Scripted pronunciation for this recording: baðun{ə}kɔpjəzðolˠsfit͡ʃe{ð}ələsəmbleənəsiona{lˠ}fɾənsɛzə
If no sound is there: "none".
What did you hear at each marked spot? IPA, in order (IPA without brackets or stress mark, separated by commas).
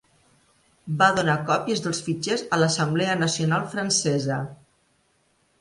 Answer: a, z, lˠ